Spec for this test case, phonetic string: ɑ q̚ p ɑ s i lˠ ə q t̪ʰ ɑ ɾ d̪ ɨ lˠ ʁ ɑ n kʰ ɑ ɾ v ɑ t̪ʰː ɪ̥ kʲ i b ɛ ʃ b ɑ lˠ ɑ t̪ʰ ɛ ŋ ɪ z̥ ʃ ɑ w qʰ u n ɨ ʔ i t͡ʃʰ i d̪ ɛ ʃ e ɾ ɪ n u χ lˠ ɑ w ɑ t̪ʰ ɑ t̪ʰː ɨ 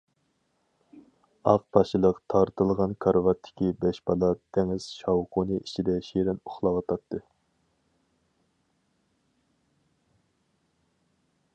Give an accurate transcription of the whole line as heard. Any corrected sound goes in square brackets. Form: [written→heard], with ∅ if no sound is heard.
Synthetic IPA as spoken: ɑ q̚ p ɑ [s→ʃ] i lˠ ə q t̪ʰ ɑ ɾ [d̪→t̪] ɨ lˠ ʁ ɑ n kʰ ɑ ɾ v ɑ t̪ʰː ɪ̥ kʲ i b ɛ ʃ b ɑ lˠ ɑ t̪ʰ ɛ ŋ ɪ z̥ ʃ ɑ w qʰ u n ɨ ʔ i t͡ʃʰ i d̪ ɛ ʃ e ɾ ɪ n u χ lˠ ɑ w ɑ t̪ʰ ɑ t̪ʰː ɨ